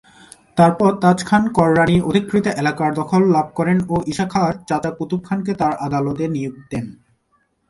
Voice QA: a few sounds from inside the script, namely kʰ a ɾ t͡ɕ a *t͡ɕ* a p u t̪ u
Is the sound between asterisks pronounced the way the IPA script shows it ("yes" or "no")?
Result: yes